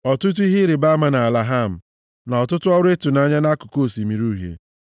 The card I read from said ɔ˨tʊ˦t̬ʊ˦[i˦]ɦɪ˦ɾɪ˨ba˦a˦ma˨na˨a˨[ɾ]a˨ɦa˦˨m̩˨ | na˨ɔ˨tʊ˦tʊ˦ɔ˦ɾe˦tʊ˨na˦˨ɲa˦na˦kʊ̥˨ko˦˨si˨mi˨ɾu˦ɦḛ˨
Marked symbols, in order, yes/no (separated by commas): yes, no